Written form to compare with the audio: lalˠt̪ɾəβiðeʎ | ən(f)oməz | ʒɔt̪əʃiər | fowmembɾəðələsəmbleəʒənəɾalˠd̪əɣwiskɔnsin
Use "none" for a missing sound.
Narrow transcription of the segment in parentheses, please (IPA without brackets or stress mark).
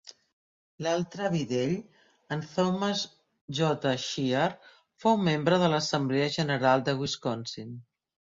θ